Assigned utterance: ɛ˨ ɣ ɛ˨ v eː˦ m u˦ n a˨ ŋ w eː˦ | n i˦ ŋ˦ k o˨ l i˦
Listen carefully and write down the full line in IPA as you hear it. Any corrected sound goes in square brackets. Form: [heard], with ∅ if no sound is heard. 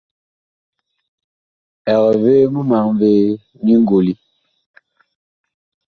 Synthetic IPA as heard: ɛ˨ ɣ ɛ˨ v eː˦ m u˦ [m] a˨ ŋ [v] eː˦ | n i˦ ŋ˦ [ɡ] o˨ l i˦